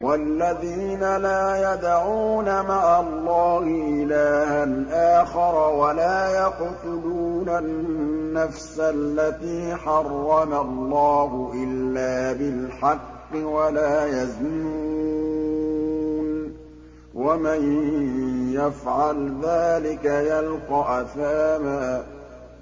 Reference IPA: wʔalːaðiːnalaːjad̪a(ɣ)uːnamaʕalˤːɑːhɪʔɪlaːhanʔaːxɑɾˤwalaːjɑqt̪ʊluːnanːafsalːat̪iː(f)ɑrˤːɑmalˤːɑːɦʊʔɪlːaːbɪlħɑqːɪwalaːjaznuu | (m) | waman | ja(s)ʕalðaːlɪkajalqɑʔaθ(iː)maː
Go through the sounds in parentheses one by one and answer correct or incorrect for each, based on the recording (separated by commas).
incorrect, incorrect, incorrect, incorrect, incorrect